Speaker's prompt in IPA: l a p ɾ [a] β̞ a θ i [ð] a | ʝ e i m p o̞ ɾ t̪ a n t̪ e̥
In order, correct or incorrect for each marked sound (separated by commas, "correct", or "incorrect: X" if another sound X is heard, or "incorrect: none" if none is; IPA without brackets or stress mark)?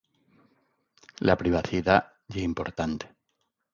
incorrect: i, correct